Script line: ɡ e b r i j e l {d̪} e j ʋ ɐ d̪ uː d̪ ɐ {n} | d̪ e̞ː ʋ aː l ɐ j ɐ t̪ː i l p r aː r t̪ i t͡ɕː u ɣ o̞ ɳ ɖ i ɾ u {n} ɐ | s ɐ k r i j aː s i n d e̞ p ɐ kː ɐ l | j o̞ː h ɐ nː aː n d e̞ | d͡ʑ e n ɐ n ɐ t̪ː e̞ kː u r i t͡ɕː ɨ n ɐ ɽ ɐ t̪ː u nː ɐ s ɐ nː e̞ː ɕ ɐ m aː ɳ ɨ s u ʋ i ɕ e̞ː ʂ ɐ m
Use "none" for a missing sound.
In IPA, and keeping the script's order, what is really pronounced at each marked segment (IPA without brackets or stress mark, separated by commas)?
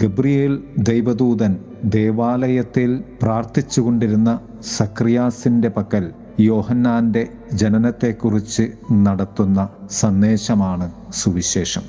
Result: d̪, n, nː